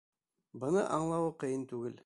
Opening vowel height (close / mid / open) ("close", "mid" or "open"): mid